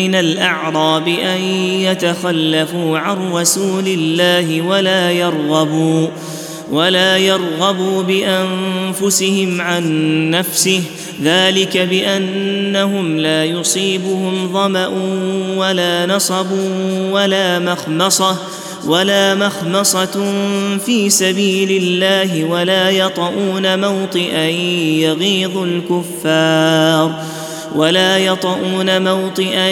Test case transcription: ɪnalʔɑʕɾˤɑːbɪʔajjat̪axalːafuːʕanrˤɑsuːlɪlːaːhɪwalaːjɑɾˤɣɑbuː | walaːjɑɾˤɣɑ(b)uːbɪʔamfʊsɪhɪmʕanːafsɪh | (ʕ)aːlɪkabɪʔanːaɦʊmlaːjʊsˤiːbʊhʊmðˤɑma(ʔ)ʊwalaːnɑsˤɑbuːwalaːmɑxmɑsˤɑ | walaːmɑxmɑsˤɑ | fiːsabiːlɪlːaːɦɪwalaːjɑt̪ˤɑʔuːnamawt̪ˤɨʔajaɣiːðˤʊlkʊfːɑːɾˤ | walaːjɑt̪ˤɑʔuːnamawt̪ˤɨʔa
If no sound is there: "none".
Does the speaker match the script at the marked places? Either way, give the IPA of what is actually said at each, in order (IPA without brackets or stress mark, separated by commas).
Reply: b, ð, ʔ